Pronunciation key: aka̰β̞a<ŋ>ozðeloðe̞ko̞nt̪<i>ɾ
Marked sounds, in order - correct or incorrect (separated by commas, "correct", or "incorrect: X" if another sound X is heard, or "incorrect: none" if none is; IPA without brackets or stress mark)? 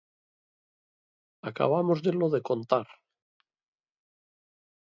incorrect: m, incorrect: a